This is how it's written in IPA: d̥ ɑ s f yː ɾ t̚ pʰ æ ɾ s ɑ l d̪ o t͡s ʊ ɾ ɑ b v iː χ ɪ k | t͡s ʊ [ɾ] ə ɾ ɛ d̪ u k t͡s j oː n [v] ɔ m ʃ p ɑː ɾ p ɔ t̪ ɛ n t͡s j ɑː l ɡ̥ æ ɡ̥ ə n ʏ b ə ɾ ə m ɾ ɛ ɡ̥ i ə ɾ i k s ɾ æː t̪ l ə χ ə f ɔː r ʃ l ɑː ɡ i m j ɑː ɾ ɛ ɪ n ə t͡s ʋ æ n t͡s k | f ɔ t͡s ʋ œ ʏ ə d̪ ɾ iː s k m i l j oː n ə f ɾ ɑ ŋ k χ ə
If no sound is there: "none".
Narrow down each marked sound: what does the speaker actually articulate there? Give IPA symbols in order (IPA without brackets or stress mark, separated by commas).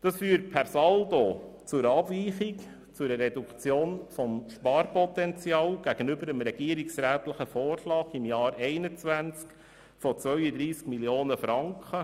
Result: ɾ, f